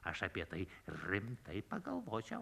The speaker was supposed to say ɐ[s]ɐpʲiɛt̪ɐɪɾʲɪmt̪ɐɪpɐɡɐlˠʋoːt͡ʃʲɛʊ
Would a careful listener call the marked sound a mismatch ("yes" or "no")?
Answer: yes